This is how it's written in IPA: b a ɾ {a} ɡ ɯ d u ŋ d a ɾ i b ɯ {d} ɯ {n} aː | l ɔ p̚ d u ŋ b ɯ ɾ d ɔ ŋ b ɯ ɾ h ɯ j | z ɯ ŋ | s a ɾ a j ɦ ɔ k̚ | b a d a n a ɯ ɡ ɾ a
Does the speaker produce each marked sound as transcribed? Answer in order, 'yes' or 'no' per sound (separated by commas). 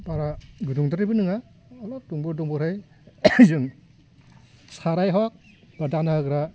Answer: yes, no, no